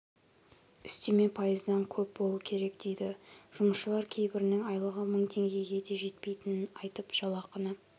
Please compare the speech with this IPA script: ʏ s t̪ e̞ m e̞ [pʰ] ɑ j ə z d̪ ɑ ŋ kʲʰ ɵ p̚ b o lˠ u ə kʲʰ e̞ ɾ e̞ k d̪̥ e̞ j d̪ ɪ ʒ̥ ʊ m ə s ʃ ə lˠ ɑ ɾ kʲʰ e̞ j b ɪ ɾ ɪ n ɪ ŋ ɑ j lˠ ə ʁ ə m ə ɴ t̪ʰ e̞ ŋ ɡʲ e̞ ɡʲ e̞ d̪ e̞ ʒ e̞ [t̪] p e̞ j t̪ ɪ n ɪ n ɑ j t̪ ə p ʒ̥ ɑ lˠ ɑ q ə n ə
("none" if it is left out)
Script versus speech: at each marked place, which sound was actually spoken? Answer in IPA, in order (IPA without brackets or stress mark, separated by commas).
pʰ, t̪